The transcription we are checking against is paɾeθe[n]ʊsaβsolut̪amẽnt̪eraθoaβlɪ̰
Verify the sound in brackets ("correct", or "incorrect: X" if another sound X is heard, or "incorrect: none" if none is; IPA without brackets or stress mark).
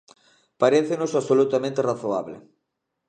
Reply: correct